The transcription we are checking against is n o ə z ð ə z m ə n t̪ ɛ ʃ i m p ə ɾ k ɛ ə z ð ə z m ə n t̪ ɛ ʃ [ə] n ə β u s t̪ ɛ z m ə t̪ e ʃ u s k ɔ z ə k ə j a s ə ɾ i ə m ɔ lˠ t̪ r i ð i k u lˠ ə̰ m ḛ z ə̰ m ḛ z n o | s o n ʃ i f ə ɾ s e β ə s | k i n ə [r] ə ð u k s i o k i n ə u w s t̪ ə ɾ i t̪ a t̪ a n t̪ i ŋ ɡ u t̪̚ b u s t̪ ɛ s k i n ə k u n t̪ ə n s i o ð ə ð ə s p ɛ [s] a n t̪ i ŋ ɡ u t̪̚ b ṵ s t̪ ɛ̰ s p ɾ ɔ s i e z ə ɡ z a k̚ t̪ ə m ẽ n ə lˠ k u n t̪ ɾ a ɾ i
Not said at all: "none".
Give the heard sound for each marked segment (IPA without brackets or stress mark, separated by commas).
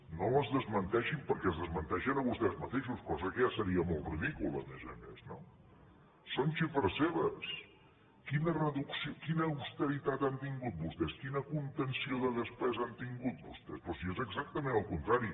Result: ə, r, z